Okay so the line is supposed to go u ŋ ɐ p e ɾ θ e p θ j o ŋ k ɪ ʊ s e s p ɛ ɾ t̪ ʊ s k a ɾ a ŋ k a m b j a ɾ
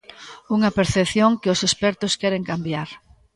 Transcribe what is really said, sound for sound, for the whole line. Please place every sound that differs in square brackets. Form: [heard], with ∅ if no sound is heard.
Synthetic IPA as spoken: u ŋ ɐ p e ɾ θ e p θ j o ŋ k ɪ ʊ s e s p ɛ ɾ t̪ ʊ s k [ɛ] ɾ [e] ŋ k a m b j a ɾ